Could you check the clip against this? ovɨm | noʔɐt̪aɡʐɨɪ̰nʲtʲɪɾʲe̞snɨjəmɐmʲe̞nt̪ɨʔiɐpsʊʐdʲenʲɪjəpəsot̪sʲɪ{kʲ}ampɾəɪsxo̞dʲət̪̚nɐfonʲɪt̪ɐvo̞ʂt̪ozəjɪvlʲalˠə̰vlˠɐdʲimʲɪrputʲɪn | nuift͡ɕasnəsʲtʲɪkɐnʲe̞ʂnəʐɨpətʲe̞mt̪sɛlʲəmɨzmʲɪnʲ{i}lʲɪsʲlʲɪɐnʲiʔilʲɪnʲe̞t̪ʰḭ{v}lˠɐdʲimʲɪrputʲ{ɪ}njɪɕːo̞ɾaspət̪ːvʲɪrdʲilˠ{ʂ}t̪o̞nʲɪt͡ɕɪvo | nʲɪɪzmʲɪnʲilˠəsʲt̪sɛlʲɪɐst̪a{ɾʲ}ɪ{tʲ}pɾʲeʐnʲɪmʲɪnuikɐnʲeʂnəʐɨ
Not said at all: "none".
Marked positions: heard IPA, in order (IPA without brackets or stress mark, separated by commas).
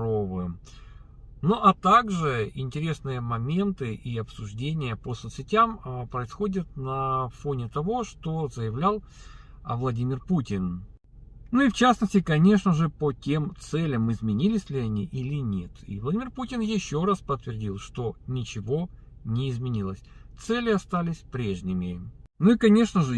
tʲ, i, v, ɪ, ʂ, lʲ, sʲ